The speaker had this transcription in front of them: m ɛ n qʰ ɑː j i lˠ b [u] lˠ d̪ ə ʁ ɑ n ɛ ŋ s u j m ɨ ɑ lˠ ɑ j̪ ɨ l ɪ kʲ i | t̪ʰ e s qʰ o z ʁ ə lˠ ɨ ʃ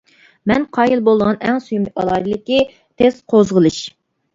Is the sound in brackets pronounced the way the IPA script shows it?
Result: no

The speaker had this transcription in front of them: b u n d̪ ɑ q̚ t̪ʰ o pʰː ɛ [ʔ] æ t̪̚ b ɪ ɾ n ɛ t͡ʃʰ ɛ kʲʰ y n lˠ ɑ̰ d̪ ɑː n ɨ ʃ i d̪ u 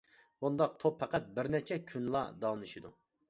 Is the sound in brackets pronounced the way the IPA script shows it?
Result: no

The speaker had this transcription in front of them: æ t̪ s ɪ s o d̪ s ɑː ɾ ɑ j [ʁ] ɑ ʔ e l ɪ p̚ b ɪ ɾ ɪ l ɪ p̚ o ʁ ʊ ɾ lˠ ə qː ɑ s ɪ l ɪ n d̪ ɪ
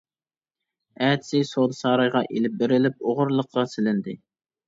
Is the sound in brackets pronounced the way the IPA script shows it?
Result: yes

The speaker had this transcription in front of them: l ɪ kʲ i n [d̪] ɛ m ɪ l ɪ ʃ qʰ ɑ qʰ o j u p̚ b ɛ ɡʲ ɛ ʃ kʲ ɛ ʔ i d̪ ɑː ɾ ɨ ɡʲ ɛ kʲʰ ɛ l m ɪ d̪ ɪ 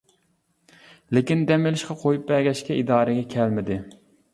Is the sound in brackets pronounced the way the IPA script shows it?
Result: yes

